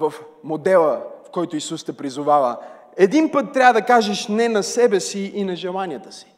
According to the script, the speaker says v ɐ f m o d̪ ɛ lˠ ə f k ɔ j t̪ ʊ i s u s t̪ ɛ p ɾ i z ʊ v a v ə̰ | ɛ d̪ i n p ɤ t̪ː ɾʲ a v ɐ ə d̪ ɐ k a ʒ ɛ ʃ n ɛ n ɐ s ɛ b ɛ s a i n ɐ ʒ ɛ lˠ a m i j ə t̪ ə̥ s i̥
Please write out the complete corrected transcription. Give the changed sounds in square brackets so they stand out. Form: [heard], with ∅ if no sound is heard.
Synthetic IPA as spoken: v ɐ f m o d̪ ɛ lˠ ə f k ɔ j t̪ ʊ i s u s t̪ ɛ p ɾ i z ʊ v a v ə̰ | ɛ d̪ i n p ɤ t̪ː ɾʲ a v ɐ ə d̪ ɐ k a ʒ ɛ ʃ n ɛ n ɐ s ɛ b ɛ s [i] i n ɐ ʒ ɛ lˠ a [n] i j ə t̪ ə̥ s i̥